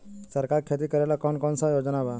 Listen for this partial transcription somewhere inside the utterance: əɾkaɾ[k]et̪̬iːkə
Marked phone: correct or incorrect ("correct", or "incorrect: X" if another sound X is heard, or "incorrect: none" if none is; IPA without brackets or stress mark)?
incorrect: kʰ